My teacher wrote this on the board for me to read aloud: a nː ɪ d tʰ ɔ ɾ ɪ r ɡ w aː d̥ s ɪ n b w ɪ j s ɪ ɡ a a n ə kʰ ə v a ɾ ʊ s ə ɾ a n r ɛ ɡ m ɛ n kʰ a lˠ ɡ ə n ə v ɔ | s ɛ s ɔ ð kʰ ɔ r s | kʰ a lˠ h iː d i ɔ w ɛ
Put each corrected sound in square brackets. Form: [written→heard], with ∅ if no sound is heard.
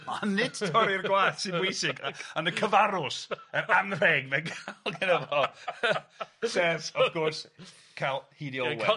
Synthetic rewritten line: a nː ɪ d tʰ ɔ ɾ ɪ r ɡ w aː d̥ s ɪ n b w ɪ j s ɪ ɡ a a n ə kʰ ə v a ɾ ʊ s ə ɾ a n r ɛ ɡ m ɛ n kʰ a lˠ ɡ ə n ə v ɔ | s ɛ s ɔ [ð→v] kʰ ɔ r s | kʰ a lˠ h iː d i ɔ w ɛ